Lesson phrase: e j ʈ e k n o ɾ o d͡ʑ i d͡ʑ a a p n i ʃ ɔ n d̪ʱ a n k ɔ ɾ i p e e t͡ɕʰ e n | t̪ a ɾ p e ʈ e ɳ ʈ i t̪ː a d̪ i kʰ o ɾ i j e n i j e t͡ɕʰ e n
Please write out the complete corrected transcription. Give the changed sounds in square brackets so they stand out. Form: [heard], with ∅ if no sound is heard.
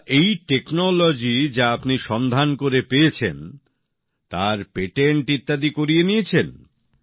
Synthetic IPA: e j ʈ e k n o [l] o d͡ʑ i d͡ʑ a a p n i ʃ ɔ n d̪ʱ a n k [o] ɾ [e] p e e t͡ɕʰ e n | t̪ a ɾ p e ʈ e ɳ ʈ i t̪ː a d̪ i [k] o ɾ i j e n i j e t͡ɕʰ e n